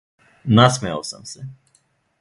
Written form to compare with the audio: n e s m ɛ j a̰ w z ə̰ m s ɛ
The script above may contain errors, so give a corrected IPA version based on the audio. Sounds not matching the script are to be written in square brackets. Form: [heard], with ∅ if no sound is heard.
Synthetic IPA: n [a] s m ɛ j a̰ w [s] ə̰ m s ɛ

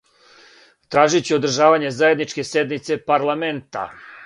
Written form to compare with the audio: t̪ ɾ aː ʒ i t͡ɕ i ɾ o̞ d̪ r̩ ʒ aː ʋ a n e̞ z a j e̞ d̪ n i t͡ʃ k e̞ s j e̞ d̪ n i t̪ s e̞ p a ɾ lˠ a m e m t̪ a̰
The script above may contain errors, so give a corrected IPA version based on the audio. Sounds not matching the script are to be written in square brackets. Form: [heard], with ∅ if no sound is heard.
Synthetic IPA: t̪ ɾ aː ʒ i t͡ɕ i [∅] o̞ d̪ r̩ ʒ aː ʋ a [ɲ] e̞ z a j e̞ d̪ n i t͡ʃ k e̞ s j e̞ d̪ n i t̪ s e̞ p a ɾ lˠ a m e [n] t̪ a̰

